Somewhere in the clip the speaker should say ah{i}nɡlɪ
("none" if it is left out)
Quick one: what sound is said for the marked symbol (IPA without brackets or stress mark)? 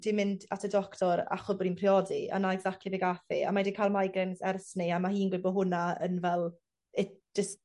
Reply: iː